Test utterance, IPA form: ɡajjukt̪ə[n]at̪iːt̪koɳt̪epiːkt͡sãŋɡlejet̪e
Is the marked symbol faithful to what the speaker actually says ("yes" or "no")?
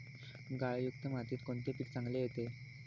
no